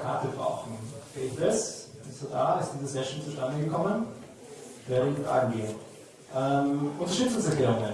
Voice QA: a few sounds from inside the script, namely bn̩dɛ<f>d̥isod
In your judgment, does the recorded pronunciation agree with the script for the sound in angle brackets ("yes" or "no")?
no